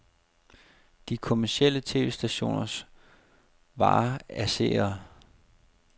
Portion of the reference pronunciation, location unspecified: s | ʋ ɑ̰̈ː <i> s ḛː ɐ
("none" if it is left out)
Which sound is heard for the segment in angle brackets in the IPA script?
æ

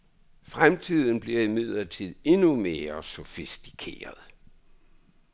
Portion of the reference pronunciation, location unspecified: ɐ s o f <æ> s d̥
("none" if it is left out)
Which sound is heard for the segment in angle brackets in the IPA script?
i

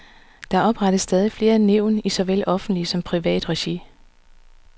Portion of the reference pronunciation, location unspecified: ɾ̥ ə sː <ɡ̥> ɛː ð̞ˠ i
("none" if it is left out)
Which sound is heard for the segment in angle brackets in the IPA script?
d̥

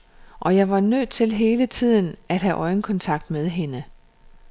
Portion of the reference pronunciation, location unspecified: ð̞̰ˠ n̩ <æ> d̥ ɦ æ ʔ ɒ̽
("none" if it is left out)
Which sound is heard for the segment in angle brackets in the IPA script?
æ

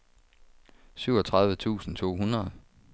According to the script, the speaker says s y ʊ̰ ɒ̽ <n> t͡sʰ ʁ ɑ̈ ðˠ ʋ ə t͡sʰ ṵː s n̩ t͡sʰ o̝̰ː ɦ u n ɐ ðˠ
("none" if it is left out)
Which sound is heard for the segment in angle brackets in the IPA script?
none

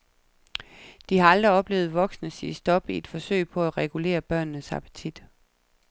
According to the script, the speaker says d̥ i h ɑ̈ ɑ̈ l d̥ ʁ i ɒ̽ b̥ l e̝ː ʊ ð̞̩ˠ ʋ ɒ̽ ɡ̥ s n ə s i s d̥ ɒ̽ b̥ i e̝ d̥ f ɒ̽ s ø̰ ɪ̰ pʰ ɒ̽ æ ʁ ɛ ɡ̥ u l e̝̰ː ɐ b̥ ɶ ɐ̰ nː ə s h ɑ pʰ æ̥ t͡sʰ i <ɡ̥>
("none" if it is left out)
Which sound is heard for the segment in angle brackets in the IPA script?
d̥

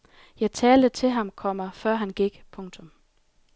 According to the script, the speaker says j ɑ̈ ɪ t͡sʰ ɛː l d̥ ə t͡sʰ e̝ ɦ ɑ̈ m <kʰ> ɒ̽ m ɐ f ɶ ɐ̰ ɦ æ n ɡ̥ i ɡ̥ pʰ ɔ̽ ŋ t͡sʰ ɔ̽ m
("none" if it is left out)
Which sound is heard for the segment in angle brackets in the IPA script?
kʰ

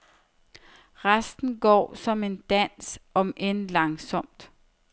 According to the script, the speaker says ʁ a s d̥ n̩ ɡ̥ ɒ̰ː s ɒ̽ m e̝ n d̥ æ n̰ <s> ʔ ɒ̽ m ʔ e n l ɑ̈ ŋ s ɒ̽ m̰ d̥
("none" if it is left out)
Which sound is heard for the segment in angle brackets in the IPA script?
s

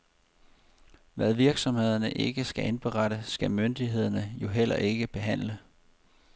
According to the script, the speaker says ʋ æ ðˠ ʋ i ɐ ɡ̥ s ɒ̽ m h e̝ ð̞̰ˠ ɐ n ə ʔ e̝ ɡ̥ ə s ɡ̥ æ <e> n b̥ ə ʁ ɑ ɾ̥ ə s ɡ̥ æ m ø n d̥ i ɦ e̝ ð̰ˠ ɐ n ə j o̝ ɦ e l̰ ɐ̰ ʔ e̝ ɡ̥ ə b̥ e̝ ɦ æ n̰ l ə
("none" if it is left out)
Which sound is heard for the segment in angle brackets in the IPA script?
e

